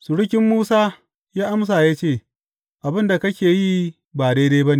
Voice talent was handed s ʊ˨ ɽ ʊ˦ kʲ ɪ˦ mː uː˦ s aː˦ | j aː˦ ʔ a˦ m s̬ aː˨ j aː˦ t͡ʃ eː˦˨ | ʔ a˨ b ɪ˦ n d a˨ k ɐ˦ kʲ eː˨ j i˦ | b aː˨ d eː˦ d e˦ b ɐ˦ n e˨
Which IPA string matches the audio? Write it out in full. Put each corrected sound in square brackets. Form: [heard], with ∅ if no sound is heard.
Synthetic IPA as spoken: s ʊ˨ ɽ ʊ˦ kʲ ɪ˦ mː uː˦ s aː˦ | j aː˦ ʔ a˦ m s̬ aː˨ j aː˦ t͡ʃ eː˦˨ | ʔ a˨ b ɪ˦ n d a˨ k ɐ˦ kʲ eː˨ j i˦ | b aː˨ d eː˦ d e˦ b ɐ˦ n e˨

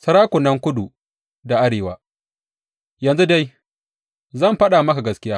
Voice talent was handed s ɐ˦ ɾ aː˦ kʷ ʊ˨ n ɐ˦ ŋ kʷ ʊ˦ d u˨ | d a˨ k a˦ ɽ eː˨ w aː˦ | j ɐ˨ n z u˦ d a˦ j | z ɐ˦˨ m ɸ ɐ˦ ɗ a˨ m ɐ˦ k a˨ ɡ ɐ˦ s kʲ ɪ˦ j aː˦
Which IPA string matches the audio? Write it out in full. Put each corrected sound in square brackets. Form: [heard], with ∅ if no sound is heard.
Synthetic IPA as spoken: s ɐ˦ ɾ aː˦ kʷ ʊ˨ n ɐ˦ ŋ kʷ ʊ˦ d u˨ | d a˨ [ʔ] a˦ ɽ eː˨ w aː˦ | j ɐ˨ n z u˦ d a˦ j | z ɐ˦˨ m ɸ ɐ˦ ɗ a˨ m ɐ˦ k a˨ ɡ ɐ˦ s kʲ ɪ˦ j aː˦

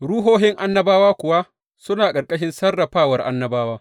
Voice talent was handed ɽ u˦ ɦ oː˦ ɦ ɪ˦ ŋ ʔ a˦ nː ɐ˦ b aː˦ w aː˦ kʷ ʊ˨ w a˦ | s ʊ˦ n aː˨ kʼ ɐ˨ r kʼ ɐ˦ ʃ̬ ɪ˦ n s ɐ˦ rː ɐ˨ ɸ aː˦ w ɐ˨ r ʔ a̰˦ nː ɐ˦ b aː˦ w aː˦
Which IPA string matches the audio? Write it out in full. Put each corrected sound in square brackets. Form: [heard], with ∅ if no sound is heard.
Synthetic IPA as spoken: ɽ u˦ ɦ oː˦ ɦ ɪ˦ ŋ ʔ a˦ nː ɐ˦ b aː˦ w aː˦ kʷ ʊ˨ w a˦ | s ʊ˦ n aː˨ kʼ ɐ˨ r kʼ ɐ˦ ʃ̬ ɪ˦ n s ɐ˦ rː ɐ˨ ɸ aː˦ w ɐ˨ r ʔ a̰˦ nː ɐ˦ b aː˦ w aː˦

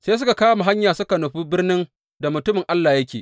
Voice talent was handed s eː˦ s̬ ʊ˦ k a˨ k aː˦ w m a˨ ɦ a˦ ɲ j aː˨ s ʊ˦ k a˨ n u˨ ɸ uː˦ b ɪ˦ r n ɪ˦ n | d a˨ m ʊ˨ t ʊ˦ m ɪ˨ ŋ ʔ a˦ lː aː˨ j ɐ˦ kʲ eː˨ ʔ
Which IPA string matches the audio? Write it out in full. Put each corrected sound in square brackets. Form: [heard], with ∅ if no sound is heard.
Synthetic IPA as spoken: s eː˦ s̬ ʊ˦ k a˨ k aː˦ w m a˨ ɦ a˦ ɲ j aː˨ s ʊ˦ k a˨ n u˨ ɸ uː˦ b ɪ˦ r n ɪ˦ n | d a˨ m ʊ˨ t ʊ˦ m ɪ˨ ŋ ʔ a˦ lː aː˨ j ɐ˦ kʲ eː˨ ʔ

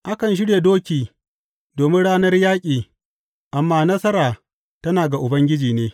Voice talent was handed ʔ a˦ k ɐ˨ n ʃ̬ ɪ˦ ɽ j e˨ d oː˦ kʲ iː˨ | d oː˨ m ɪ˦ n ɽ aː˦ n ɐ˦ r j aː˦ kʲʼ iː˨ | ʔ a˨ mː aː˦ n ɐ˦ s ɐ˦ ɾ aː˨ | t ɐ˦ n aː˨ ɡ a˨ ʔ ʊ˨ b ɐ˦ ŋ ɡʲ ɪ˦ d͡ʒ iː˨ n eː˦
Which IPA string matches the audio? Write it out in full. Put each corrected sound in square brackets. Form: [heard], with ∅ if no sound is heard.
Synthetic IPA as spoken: ʔ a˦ k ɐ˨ n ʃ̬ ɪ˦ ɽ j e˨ d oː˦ kʲ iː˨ | d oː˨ m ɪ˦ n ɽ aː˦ n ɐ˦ r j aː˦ kʲʼ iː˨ | ʔ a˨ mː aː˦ n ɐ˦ s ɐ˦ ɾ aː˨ | t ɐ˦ n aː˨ ɡ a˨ ʔ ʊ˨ b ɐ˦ ŋ ɡʲ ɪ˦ d͡ʒ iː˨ n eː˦

